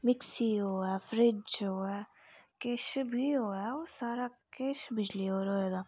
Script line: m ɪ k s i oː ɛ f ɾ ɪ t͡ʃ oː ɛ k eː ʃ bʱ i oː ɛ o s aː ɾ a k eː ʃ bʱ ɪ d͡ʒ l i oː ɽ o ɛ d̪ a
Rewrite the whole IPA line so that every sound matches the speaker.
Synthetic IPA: m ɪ k s i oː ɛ f ɾ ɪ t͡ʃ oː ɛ k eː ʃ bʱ i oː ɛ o s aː ɾ a k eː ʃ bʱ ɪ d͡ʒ l i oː ɾ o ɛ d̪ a